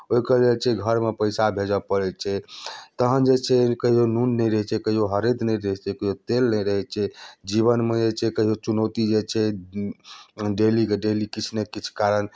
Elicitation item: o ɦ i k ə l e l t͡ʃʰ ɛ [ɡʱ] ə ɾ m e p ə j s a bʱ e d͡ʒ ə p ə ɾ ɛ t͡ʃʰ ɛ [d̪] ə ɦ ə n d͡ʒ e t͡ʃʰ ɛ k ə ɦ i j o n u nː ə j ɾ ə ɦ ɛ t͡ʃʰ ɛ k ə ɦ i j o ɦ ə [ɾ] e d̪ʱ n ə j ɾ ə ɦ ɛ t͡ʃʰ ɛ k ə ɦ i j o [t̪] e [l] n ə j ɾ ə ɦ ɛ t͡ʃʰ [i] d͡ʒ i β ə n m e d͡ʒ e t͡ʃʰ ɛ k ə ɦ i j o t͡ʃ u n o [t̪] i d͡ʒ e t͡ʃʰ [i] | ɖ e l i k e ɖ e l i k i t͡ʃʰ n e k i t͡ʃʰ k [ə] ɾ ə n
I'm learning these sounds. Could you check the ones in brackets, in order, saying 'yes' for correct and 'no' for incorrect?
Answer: yes, no, yes, yes, yes, no, yes, no, no

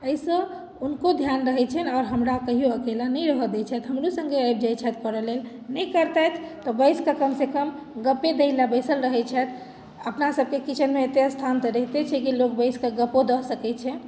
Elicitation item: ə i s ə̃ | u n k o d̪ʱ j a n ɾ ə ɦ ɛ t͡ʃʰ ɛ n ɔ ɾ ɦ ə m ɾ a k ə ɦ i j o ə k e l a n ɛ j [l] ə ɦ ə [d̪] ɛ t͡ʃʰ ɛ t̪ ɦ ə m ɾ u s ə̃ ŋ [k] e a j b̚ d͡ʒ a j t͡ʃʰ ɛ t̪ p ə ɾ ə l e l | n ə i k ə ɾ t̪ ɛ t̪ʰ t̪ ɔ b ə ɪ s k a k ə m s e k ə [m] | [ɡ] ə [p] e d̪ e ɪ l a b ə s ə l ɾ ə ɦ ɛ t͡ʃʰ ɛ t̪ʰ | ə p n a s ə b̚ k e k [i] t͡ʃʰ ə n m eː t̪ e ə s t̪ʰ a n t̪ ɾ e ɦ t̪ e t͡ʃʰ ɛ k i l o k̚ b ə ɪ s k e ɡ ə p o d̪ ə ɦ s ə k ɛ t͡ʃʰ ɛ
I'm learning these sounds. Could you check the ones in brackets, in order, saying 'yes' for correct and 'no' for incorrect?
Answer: no, yes, no, yes, yes, yes, yes

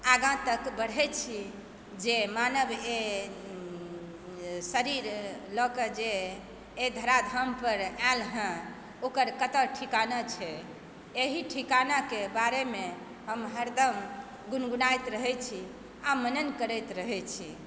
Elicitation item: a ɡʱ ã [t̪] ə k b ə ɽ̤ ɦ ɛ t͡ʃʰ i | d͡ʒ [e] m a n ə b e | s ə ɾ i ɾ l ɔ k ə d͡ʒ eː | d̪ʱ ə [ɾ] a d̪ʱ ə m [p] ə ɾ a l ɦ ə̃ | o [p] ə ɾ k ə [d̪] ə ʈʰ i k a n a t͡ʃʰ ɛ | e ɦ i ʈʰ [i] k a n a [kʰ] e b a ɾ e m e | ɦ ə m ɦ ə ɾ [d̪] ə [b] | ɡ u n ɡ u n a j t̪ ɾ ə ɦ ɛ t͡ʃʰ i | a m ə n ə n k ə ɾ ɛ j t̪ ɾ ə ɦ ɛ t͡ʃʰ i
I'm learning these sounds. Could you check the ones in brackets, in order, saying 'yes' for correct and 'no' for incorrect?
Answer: yes, yes, yes, yes, no, no, yes, no, yes, no

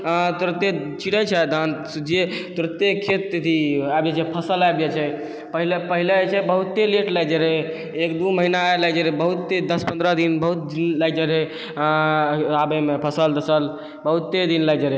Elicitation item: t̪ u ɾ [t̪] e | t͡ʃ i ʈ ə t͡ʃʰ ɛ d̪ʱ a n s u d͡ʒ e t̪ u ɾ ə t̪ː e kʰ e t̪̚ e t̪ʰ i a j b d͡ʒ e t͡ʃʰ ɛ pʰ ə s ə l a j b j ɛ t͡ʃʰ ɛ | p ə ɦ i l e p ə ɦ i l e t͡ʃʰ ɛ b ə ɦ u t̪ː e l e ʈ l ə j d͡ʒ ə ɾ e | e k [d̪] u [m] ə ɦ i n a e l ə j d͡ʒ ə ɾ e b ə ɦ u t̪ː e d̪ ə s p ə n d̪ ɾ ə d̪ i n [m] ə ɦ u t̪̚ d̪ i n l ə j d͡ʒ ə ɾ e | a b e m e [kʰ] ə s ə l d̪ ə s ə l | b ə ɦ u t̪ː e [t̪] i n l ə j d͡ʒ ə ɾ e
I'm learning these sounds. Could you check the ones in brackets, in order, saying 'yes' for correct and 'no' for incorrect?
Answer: yes, yes, yes, no, no, no

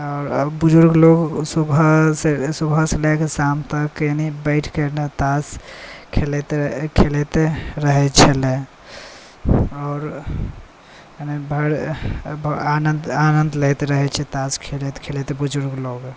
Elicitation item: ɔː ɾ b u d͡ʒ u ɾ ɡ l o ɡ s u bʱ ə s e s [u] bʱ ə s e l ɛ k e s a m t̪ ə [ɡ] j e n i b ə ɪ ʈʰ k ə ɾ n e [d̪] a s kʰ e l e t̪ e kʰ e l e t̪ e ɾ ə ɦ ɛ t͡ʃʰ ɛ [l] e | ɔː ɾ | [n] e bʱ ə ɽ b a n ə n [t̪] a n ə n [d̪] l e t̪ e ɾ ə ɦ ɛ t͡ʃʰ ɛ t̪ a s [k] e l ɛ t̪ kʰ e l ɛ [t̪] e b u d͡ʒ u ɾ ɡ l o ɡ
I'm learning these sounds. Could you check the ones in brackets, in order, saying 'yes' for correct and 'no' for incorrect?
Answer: yes, no, no, yes, yes, no, yes, no, yes

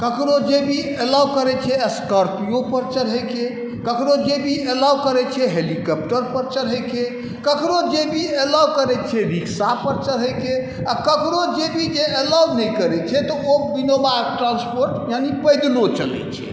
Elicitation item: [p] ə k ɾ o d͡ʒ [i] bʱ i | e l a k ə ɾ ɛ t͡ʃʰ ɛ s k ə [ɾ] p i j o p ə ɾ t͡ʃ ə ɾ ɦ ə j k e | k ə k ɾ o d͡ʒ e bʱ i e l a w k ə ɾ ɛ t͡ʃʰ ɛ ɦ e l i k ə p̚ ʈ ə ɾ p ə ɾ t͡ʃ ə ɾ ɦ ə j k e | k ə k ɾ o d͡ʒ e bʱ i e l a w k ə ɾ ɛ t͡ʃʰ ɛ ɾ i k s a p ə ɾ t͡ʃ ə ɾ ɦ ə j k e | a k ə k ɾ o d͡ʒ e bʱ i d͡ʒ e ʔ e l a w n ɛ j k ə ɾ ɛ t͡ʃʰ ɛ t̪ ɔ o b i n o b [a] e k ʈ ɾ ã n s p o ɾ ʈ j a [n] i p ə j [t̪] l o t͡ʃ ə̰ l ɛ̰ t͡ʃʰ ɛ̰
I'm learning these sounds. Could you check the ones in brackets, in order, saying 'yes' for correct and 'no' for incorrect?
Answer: no, no, yes, yes, yes, no

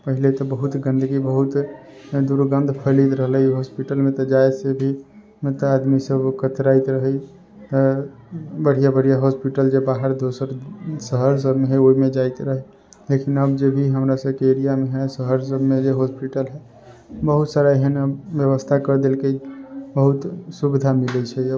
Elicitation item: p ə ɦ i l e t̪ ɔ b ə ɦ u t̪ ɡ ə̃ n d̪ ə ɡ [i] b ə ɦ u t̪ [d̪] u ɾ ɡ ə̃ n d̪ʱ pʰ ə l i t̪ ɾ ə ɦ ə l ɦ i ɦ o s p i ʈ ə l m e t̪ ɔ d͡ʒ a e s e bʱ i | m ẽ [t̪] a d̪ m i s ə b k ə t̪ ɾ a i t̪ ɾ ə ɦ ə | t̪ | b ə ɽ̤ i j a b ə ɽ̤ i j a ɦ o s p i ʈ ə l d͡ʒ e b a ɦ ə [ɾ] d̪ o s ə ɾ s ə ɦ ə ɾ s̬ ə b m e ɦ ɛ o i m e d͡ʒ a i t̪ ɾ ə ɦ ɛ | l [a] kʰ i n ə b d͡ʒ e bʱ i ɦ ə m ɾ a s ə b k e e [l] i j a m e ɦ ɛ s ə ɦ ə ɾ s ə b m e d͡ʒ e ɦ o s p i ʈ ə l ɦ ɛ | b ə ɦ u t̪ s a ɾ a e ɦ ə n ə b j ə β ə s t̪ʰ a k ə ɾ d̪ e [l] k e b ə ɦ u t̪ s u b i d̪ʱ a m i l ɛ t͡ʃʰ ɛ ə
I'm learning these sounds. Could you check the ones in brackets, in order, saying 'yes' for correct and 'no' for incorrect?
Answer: yes, yes, yes, yes, no, no, yes

